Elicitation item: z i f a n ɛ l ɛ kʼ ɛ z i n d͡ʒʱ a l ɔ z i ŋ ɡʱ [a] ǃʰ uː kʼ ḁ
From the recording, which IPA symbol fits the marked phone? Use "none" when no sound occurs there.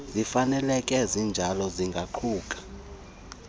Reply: a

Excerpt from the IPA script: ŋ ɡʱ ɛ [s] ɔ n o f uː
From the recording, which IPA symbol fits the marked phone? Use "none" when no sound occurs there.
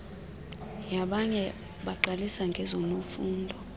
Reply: z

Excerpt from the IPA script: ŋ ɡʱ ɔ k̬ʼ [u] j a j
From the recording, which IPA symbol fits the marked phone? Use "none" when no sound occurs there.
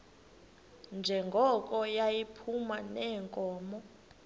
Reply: ɔ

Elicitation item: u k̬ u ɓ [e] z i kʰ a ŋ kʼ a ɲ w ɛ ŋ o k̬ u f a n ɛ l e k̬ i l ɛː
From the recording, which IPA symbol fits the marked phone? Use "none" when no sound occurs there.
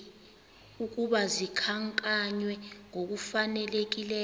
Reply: a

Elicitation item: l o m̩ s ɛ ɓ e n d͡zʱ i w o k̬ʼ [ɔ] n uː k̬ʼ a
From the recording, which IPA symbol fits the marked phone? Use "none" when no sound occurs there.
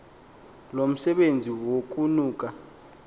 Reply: u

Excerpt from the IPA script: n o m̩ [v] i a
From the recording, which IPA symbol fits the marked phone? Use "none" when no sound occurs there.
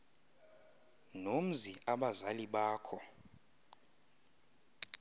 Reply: z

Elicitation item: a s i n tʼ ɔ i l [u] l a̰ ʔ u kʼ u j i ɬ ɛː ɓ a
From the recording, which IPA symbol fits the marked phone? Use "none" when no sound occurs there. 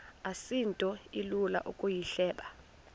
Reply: u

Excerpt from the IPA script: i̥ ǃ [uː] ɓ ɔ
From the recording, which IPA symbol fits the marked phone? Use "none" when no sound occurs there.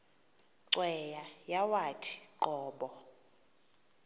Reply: ɔː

